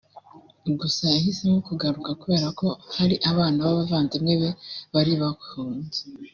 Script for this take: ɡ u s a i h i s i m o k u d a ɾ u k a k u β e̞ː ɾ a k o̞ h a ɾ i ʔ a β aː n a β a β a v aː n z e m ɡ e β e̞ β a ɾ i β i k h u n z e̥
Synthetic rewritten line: ɡ u s a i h i s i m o k u ɡ a ɾ u k a k u β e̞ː ɾ a k o̞ h a ɾ i ʔ a β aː n a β a β a v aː n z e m ŋ e β e̞ β a ɾ i β a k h uː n z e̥